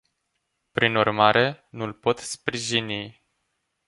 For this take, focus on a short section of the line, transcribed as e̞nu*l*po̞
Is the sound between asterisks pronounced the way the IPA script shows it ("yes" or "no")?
yes